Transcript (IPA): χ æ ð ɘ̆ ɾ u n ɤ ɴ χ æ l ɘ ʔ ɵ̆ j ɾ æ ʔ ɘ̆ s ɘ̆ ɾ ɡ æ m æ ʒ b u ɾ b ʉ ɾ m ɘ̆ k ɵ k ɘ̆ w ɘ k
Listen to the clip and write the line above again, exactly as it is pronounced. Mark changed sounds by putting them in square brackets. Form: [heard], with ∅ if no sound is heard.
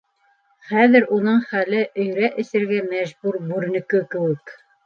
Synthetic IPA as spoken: χ æ ð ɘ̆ ɾ u n ɤ ɴ χ æ l ɘ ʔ ɵ̆ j ɾ æ ʔ ɘ̆ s ɘ̆ ɾ ɡ æ m æ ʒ b u ɾ b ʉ ɾ [n] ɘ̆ k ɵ k ɘ̆ w ɘ k